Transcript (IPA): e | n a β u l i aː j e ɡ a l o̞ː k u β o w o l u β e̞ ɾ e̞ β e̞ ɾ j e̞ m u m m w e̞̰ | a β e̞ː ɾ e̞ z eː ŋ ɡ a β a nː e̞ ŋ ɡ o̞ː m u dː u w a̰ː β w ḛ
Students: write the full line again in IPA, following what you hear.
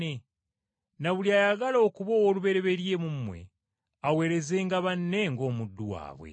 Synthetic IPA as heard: e | n a β u l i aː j a ɡ a l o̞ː k u β o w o l u β e̞ ɾ e̞ β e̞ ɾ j e̞ m u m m w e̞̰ | a w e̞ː ɾ e̞ z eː ŋ ɡ a β a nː e̞ ŋ ɡ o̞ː m u dː u w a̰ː β w ḛ